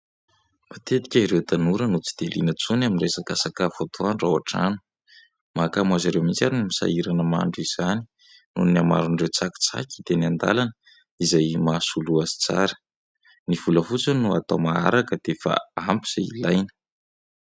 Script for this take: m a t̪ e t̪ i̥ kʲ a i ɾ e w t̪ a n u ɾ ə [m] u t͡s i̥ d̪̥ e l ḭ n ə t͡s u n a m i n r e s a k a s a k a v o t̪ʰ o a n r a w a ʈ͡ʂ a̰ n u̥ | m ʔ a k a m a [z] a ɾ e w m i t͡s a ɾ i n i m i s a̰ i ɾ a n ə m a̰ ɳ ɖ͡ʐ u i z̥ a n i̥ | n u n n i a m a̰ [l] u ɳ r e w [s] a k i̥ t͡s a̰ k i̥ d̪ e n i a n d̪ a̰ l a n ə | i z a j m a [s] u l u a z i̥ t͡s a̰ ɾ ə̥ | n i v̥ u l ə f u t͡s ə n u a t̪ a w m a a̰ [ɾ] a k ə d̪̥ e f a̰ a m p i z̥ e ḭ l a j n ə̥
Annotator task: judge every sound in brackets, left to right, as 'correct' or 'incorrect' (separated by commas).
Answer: incorrect, correct, incorrect, incorrect, correct, correct